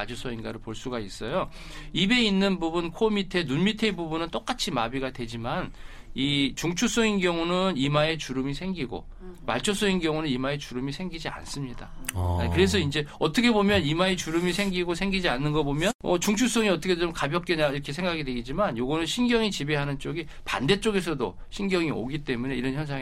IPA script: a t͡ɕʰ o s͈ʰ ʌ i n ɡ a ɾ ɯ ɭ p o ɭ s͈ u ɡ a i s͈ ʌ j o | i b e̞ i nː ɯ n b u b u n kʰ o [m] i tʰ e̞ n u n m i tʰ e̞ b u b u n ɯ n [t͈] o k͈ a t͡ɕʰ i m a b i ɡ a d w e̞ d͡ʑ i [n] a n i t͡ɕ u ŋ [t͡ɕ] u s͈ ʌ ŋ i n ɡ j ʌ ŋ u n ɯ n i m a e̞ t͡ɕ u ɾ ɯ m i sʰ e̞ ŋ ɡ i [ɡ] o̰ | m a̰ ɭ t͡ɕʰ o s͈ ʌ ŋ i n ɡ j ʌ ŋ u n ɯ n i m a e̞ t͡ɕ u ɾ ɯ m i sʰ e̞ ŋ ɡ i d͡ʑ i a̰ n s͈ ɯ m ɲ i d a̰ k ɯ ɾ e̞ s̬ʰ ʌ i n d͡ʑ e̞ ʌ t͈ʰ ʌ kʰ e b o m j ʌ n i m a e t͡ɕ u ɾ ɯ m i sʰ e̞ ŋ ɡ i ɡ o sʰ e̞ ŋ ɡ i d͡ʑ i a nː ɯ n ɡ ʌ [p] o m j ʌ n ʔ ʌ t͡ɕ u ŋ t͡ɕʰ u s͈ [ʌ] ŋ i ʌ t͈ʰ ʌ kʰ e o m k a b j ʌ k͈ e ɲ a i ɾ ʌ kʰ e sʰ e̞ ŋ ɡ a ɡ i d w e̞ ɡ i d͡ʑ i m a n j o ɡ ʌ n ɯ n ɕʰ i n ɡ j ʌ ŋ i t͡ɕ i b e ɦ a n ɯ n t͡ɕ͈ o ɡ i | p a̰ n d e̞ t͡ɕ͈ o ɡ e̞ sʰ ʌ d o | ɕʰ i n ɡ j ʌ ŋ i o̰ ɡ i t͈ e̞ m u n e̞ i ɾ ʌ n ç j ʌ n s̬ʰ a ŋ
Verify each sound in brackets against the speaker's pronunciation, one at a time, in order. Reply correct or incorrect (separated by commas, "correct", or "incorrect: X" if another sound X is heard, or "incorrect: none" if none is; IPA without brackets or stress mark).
correct, correct, incorrect: m, incorrect: t͡ɕʰ, correct, incorrect: b, correct